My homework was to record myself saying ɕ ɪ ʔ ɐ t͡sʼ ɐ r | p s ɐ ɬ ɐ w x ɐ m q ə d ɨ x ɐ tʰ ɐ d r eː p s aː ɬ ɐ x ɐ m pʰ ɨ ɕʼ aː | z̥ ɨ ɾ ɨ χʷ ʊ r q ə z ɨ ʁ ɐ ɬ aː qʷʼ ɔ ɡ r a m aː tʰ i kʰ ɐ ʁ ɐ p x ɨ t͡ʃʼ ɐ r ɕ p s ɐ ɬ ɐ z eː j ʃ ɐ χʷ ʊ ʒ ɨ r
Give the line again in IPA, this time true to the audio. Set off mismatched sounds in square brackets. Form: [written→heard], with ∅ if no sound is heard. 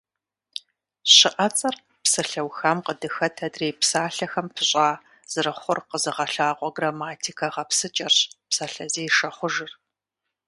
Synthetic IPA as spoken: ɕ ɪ ʔ ɐ t͡sʼ ɐ r | p s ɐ ɬ ɐ w x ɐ m q ə d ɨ x ɐ tʰ ɐ d r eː p s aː ɬ ɐ x ɐ m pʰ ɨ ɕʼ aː | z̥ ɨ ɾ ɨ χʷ ʊ r q ə z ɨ ʁ ɐ ɬ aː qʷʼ ɔ ɡ r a m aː tʰ i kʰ ɐ ʁ ɐ p [x→s] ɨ t͡ʃʼ ɐ r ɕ p s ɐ ɬ ɐ z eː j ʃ ɐ χʷ ʊ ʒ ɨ r